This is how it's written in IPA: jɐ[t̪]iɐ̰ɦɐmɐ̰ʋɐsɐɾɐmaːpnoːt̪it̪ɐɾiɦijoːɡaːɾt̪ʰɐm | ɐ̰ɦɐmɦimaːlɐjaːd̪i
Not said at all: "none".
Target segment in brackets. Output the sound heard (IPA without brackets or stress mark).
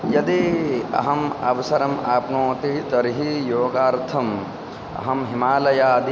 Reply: d̪